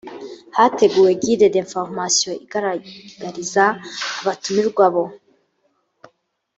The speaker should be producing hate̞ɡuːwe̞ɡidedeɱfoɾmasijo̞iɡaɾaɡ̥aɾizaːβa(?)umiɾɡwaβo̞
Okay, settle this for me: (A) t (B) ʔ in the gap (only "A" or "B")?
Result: A